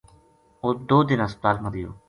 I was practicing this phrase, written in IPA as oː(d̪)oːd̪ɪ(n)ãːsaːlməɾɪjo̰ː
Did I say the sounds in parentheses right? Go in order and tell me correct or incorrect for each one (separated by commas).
correct, correct